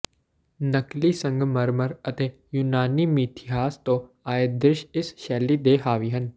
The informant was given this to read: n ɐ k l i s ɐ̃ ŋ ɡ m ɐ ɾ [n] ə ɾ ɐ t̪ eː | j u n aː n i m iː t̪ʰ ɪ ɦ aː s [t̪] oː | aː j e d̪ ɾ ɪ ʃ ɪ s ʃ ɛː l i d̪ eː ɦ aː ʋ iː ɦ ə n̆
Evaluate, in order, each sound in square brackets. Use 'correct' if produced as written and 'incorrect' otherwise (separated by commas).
incorrect, correct